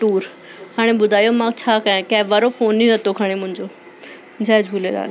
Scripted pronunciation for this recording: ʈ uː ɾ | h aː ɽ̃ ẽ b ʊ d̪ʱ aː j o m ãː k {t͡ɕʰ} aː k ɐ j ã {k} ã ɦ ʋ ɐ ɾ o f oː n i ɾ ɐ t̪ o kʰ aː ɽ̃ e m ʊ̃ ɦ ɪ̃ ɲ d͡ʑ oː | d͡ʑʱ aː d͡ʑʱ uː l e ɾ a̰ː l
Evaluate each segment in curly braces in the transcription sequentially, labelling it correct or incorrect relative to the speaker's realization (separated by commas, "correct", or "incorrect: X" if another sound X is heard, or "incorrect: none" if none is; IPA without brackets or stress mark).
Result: correct, correct